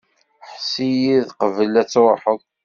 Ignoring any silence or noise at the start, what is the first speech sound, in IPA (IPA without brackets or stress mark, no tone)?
ħ